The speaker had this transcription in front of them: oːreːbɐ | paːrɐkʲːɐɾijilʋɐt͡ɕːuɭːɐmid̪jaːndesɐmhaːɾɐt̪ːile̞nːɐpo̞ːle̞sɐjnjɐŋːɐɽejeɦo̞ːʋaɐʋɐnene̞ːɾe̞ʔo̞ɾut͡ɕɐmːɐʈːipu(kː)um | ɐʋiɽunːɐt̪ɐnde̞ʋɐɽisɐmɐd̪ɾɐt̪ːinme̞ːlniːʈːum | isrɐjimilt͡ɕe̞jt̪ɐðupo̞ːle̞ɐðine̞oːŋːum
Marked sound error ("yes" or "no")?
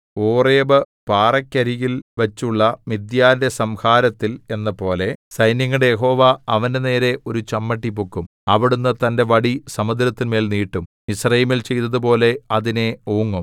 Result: no